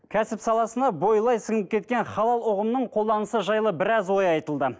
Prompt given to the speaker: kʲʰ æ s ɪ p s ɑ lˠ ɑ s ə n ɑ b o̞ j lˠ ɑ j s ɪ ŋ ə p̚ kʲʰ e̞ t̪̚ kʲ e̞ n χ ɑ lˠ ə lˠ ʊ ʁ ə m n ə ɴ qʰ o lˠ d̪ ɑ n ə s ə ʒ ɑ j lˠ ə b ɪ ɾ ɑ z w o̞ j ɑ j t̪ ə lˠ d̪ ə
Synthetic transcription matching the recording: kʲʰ æ s ɪ p s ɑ lˠ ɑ s ə n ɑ b o̞ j lˠ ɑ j s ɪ ŋ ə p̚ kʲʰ e̞ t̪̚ kʲ e̞ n χ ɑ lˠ ɑ lˠ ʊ ʁ ə m n ə ɴ qʰ o lˠ d̪ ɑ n ə s ə ʒ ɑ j lˠ ə b ɪ ɾ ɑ z w o̞ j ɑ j t̪ ə lˠ d̪ ə